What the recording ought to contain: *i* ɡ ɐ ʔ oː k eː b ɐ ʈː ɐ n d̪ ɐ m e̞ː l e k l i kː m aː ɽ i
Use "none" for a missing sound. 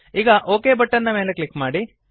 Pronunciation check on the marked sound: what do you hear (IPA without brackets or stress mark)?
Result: iː